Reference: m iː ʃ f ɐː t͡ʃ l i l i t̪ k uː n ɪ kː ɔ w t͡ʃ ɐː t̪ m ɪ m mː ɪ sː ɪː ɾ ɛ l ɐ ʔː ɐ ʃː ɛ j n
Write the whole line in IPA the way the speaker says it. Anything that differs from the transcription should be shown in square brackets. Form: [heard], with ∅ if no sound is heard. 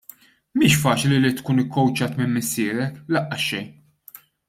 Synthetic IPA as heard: m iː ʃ f ɐː t͡ʃ l i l i t̪ k uː n ɪ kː ɔ w t͡ʃ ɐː t̪ m ɪ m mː ɪ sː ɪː ɾ ɛ l ɐ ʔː ɐ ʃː ɛ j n

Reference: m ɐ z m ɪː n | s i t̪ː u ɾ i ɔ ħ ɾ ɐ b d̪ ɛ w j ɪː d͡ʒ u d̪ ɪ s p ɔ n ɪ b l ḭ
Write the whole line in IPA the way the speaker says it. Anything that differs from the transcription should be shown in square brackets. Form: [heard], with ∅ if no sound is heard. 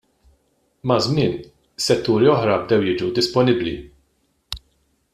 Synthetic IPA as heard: m ɐ z m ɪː n | s [ɛ] t̪ː [uː] ɾ i ɔ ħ ɾ ɐ b d̪ ɛ w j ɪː d͡ʒ u d̪ ɪ s p ɔ n ɪ b l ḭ

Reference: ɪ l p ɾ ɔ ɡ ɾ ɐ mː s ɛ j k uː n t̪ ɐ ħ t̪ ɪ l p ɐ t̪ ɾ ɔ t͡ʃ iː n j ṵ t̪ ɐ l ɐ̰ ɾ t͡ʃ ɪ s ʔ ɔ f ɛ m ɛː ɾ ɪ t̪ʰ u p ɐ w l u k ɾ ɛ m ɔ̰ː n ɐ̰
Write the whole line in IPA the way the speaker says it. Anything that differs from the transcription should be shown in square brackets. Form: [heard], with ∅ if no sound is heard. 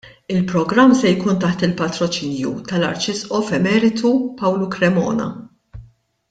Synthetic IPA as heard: ɪ l p ɾ ɔ ɡ ɾ ɐ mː s ɛ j k uː n t̪ ɐ ħ t̪ ɪ l p ɐ t̪ ɾ ɔ t͡ʃ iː n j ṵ t̪ ɐ l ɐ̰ ɾ t͡ʃ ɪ s ʔ ɔ f ɛ m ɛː ɾ ɪ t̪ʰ u p ɐ w l u k ɾ ɛ m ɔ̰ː n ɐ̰

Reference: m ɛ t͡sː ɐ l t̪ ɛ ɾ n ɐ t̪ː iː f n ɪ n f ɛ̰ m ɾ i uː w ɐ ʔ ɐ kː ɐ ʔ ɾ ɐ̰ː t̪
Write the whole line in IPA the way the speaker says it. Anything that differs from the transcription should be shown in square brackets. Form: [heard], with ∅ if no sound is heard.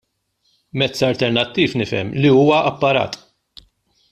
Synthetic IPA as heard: m ɛ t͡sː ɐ l t̪ ɛ ɾ n ɐ t̪ː iː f n ɪ [∅] f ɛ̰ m [l] i uː w ɐ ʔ ɐ [pː] ɐ [∅] ɾ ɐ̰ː t̪

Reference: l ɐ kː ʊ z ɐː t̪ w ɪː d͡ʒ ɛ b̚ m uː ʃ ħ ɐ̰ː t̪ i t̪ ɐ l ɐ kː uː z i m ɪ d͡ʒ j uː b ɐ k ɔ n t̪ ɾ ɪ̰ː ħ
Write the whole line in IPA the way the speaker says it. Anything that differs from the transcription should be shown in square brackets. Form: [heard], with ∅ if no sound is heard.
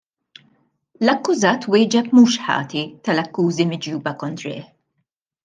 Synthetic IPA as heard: l ɐ kː ʊ z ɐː t̪ w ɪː d͡ʒ ɛ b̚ m uː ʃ ħ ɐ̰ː t̪ i t̪ ɐ l ɐ kː uː z i m ɪ d͡ʒ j uː b ɐ k ɔ n t̪ ɾ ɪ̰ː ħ

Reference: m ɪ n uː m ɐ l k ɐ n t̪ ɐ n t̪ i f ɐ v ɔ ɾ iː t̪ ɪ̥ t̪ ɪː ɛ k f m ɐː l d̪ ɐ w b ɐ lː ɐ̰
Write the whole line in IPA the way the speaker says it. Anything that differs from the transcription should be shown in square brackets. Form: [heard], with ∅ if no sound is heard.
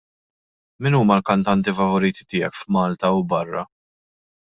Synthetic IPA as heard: m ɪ n uː m ɐ l k ɐ n t̪ ɐ n t̪ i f ɐ v ɔ ɾ iː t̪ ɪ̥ t̪ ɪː ɛ k f m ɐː l [t̪] ɐ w b ɐ [rː] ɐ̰

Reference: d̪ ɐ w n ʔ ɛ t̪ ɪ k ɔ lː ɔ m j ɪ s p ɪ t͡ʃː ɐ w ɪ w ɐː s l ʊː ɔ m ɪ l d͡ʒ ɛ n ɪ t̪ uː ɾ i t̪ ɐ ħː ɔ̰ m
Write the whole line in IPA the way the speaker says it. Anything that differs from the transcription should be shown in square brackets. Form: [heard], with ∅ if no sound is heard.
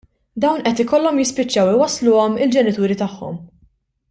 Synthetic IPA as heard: d̪ ɐ w n ʔ ɛ t̪ ɪ k ɔ lː ɔ m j ɪ s p ɪ t͡ʃː ɐ w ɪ w [ɐ] s l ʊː ɔ m ɪ l d͡ʒ ɛ n ɪ t̪ uː ɾ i t̪ ɐ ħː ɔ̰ m

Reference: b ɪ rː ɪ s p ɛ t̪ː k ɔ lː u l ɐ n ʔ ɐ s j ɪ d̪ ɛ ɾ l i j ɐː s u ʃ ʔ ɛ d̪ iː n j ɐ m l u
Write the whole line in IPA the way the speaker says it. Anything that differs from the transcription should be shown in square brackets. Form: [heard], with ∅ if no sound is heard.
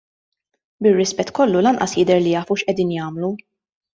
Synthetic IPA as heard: b ɪ rː ɪ s p ɛ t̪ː k ɔ lː u l ɐ n ʔ ɐ s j ɪ d̪ ɛ ɾ l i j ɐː [f] u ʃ ʔ ɛ d̪ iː n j [ɐː] m l u

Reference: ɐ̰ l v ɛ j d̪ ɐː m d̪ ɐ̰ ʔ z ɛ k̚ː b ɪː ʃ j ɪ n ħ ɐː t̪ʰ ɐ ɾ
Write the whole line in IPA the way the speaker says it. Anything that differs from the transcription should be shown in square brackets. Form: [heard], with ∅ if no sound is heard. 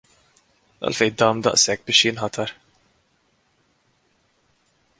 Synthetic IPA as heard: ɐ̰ l [f] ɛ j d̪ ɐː m d̪ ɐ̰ ʔ [s] ɛ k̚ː b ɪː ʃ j ɪ n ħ [ɐ] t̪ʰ ɐ ɾ

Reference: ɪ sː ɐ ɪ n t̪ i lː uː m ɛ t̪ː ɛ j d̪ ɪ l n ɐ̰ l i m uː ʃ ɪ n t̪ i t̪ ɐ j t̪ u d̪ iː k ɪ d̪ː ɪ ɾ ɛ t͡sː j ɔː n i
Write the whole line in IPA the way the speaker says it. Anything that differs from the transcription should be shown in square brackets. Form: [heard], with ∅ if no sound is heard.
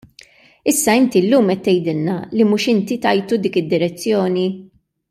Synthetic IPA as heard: ɪ sː ɐ ɪ n t̪ i lː uː m ɛ t̪ː ɛ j d̪ ɪ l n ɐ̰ l i m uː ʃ ɪ n t̪ i t̪ ɐ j t̪ u d̪ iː k ɪ d̪ː ɪ ɾ ɛ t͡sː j ɔː n i

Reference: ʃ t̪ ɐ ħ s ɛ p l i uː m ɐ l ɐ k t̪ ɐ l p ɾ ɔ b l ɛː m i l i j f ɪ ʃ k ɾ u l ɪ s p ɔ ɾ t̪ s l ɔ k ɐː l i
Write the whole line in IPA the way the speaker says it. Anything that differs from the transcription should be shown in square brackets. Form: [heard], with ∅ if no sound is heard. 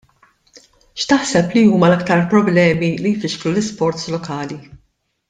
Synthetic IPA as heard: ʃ t̪ ɐ ħ s ɛ p l i uː m ɐ l ɐ k t̪ ɐ [ɾ] p ɾ ɔ b l ɛː m i l i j f ɪ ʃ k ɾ u l ɪ s p ɔ ɾ t̪ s l ɔ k ɐː l i

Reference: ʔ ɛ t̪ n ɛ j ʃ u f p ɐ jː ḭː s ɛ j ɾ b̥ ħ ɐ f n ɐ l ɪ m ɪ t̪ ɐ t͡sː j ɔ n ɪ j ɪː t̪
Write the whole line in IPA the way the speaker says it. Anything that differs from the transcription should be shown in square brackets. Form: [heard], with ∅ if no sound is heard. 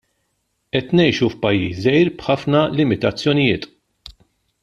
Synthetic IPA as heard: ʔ ɛ t̪ n ɛ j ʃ u f p ɐ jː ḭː s ɛ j ɾ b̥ ħ ɐ f n ɐ l ɪ m ɪ t̪ ɐ t͡sː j ɔ n ɪ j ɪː t̪

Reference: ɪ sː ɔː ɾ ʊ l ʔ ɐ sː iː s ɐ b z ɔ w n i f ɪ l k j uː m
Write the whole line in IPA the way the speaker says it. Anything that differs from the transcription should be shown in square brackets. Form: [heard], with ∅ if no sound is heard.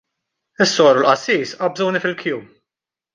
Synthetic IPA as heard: ɪ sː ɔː ɾ ʊ l ʔ ɐ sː iː s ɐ b z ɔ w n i f ɪ l k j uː m

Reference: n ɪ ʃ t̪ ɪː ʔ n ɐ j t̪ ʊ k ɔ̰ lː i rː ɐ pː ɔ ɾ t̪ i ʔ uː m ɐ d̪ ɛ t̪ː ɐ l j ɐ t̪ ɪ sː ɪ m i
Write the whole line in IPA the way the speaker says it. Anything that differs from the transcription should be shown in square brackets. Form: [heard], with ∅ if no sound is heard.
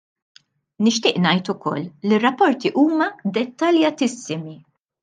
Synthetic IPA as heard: n ɪ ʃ t̪ ɪː ʔ n ɐ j t̪ ʊ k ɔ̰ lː i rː ɐ pː ɔ ɾ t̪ i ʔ uː m ɐ d̪ ɛ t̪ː ɐ l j ɐ t̪ ɪ sː ɪ m i

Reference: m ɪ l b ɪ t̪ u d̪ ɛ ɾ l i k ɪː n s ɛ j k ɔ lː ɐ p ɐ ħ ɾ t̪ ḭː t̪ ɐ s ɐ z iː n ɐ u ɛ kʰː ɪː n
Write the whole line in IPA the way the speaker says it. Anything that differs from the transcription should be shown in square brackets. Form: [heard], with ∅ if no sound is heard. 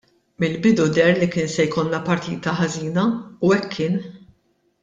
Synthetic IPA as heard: m ɪ l b ɪ [d̪] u d̪ ɛ ɾ l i k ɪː n s ɛ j k ɔ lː ɐ p ɐ [∅] ɾ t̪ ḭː t̪ ɐ [ħ] ɐ z iː n ɐ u ɛ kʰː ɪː n

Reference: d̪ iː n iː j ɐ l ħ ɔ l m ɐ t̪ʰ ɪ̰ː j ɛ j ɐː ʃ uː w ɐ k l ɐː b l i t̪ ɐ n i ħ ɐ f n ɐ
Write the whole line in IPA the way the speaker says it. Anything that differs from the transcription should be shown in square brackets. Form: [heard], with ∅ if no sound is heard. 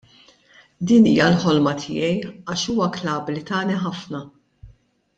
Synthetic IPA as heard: d̪ iː n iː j ɐ l ħ ɔ l m ɐ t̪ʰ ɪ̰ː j ɛ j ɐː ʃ uː w ɐ k l ɐː b l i t̪ [ɐː] n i ħ ɐ f n ɐ

